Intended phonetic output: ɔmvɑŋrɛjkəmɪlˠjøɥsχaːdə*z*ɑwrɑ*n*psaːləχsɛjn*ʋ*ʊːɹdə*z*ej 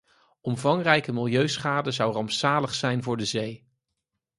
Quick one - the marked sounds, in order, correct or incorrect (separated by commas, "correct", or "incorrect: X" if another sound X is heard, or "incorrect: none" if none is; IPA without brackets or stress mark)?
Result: correct, incorrect: m, incorrect: v, correct